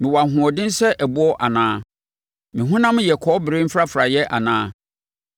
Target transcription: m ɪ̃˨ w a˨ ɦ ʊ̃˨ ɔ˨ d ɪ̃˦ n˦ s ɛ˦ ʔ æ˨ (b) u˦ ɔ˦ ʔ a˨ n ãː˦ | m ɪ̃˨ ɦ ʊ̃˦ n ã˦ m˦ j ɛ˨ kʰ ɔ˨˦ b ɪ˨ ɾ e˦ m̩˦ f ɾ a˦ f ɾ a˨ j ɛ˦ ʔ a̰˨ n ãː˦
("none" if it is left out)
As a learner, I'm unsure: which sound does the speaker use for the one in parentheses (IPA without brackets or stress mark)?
b